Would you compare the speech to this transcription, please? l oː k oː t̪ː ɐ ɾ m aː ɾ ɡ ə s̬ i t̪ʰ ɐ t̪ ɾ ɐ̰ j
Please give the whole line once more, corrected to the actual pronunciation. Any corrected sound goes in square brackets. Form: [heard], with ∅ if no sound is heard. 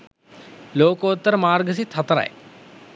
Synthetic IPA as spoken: l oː k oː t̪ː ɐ ɾ m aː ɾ ɡ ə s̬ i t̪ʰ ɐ t̪ ɾ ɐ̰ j